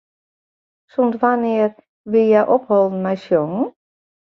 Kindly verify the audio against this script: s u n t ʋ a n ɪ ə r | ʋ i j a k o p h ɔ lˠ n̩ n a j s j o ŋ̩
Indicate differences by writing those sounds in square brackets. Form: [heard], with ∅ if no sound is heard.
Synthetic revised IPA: s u n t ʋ a n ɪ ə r | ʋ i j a [ʔ] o p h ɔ lˠ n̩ [m] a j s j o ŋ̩